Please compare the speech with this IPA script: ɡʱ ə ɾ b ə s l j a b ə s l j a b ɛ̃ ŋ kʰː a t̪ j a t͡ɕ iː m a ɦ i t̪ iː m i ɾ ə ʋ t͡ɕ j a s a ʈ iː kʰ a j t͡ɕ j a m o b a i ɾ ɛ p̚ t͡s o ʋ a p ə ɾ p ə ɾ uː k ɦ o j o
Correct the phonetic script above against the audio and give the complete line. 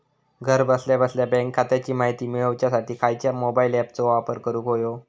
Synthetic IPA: ɡʱ ə ɾ b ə s l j a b ə s l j a b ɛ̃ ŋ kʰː a t̪ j a t͡ɕ iː m a ɦ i t̪ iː m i ɭ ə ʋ t͡ɕ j a s a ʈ iː kʰ a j t͡ɕ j a m o b a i l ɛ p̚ t͡s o ʋ a p ə ɾ k ə ɾ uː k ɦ o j o

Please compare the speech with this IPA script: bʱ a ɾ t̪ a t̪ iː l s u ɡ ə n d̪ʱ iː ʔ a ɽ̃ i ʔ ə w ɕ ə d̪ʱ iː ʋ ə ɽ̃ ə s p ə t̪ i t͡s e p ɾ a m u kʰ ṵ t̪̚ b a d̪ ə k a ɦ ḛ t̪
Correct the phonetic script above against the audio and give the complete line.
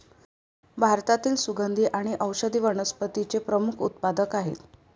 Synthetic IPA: bʱ a ɾ t̪ a t̪ iː l s u ɡ ə n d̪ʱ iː ʔ a ɽ̃ i ʔ ə w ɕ ə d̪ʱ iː ʋ ə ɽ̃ ə s p ə t̪ i t͡s e p ɾ ə m u kʰ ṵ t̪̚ p a d̪ ə k a ɦ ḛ t̪

